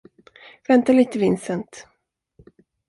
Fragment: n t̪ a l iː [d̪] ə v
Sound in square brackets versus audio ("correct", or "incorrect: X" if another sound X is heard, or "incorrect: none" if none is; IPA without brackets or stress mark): incorrect: t̪